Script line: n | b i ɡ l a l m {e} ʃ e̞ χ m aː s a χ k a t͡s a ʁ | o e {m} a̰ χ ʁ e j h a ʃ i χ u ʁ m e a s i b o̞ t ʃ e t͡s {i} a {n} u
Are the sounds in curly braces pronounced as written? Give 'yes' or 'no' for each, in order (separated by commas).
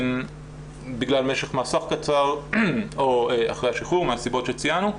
yes, no, yes, yes